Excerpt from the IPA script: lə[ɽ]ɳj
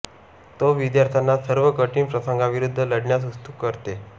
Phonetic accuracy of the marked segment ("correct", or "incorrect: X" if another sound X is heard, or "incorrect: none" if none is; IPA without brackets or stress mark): correct